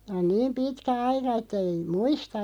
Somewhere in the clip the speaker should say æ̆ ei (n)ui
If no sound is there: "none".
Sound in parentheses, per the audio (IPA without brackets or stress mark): m